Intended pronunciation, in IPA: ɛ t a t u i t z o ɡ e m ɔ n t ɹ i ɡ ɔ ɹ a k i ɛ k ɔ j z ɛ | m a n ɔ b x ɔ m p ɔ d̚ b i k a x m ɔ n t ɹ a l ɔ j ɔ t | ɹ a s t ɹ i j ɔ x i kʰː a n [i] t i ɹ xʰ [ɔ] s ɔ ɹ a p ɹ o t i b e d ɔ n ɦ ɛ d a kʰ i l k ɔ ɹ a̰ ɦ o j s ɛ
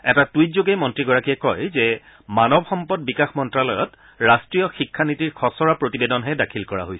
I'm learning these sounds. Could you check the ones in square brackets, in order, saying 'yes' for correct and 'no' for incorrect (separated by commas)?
yes, yes